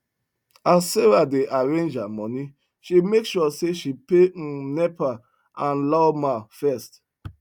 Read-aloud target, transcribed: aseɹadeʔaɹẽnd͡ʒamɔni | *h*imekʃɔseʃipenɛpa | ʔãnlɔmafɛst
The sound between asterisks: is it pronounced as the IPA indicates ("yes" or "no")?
no